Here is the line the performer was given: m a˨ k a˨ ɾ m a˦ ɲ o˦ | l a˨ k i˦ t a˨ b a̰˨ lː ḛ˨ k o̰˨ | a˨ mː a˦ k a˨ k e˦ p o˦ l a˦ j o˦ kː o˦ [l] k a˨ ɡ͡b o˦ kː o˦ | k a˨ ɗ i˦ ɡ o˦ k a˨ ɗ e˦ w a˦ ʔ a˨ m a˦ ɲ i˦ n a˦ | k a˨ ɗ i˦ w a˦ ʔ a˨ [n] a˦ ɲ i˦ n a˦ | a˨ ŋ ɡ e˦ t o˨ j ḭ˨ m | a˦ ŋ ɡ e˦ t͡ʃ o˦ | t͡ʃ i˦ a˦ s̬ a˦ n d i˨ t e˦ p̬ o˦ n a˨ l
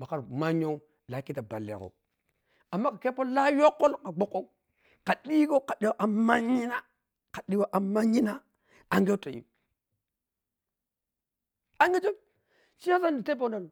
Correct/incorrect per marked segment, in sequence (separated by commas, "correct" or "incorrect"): correct, incorrect